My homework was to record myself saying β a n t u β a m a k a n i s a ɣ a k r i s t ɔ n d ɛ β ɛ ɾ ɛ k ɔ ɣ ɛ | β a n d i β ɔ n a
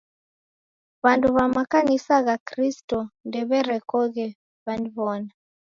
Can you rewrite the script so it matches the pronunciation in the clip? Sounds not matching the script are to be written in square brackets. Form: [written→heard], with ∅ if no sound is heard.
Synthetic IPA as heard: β a n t u β a m a k a n i s a ɣ a k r i s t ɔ n d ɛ β ɛ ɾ ɛ k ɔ ɣ ɛ | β a n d i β ɔ n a